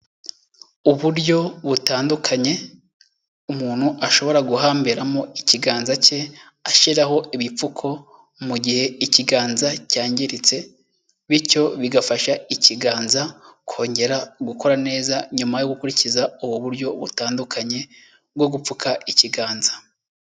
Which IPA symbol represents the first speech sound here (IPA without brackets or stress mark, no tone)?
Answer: u